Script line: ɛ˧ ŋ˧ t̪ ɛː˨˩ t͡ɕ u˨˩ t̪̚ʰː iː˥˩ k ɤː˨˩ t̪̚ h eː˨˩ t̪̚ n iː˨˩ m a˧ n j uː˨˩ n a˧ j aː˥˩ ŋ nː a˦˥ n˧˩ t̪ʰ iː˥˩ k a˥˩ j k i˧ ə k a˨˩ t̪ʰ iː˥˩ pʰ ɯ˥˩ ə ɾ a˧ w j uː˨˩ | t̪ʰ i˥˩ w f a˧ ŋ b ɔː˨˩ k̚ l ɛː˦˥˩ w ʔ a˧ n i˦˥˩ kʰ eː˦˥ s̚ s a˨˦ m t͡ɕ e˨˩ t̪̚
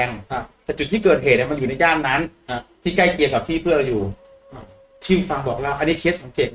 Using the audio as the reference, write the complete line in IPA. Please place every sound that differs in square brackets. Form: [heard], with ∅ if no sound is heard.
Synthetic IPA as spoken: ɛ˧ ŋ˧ t̪ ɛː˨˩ t͡ɕ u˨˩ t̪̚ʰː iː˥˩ k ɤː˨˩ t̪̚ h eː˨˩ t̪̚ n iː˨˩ m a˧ n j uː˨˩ n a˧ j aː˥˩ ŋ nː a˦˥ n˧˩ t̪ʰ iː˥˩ k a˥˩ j k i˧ ə k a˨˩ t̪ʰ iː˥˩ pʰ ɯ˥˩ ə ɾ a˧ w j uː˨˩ | t̪ʰ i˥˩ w f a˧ ŋ b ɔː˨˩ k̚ l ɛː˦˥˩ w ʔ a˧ n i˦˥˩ kʰ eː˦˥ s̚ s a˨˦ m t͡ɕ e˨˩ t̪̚

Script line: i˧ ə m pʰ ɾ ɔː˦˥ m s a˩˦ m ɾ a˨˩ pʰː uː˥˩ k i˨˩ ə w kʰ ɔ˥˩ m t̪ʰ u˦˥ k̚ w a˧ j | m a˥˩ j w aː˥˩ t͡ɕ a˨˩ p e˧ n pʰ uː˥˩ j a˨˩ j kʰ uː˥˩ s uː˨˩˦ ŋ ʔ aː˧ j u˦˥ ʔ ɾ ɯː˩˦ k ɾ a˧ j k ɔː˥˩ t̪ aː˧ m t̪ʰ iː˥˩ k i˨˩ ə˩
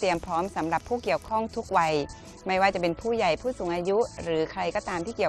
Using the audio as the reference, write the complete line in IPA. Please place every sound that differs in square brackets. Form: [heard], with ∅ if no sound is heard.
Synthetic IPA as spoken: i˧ ə m pʰ ɾ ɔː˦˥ m s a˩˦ m ɾ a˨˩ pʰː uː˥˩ k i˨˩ ə w kʰ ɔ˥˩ [ŋ] t̪ʰ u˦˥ k̚ w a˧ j | m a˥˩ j w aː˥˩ t͡ɕ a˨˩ p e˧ n pʰ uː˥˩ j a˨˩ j [pʰ] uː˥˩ s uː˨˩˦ ŋ ʔ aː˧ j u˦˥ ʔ ɾ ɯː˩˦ [kʰ] ɾ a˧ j k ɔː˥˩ t̪ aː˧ m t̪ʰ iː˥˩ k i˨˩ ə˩

